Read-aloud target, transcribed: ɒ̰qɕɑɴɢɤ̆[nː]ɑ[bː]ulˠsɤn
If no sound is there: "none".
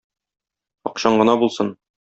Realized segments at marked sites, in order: n, b

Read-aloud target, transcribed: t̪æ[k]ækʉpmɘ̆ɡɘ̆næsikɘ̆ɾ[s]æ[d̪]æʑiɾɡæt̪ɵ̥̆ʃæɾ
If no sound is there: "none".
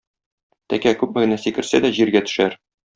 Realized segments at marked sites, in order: k, s, d̪

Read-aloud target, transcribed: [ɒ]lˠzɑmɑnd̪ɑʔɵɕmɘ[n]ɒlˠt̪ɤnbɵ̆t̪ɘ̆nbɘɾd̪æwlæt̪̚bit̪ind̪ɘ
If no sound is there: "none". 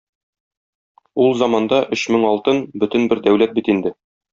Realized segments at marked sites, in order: u, ŋ

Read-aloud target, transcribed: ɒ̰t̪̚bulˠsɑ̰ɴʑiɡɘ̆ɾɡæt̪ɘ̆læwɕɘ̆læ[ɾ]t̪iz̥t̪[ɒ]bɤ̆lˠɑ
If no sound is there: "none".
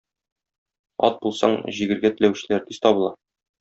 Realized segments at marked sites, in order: ɾ, ɒ

